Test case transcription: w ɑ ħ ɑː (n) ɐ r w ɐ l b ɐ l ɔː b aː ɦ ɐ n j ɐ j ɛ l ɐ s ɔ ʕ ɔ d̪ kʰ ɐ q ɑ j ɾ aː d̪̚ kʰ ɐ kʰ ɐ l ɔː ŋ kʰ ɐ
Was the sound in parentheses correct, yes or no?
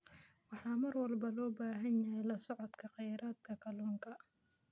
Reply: no